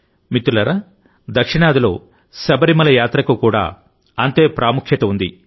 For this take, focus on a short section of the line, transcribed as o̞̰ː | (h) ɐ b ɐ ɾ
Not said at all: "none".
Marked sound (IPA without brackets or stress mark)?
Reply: s